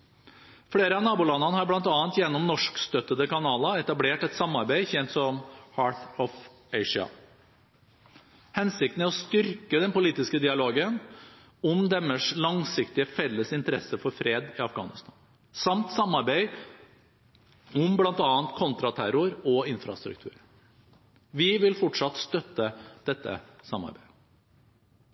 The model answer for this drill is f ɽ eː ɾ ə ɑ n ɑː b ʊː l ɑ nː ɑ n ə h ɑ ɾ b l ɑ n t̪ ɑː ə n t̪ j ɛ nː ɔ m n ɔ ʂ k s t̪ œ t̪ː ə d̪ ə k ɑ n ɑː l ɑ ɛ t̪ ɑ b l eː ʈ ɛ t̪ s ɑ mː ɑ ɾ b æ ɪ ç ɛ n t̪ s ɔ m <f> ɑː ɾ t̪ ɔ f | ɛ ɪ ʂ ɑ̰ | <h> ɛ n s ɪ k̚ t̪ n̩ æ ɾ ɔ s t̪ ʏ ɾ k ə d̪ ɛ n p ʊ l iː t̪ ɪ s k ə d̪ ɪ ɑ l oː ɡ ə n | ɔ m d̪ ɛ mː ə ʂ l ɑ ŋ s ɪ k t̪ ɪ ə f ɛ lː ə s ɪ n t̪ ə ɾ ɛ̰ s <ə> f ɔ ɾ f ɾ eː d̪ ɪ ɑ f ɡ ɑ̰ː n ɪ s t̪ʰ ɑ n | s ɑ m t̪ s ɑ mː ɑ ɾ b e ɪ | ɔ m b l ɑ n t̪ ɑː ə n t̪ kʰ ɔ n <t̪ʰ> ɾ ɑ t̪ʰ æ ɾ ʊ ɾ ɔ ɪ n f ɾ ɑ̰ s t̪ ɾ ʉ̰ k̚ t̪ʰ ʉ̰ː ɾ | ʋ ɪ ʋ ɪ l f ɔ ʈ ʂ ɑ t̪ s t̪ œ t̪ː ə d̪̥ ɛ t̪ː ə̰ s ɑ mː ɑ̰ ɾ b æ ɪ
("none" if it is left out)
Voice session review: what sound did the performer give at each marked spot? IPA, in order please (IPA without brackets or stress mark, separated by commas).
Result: h, h, ə, t̪